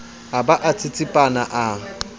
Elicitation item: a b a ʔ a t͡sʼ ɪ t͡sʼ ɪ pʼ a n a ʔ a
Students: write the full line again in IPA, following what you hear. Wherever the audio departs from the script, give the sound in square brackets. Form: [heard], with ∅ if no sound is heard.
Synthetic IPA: a b a ʔ a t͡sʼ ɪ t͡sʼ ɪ pʼ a n a ʔ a